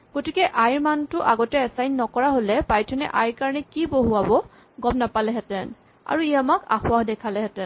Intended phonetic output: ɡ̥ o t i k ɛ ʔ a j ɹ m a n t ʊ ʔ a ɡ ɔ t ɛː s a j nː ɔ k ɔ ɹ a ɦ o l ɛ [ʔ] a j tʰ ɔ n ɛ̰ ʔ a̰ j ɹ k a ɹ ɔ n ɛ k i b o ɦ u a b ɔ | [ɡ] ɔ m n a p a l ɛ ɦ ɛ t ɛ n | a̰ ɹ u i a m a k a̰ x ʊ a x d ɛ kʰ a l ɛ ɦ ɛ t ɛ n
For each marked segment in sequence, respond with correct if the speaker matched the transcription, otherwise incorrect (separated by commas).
incorrect, correct